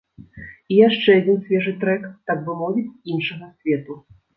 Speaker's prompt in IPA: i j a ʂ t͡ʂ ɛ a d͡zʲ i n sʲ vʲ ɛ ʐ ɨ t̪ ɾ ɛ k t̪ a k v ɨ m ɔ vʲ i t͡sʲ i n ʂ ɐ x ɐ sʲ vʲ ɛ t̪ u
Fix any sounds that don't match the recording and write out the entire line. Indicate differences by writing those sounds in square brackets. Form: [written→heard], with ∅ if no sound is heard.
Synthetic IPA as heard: i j a ʂ t͡ʂ ɛ a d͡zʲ i n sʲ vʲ ɛ ʐ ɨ t̪ ɾ ɛ k t̪ a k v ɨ m ɔ vʲ i t͡sʲ i n ʂ ɐ [x→ɣ] ɐ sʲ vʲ ɛ t̪ u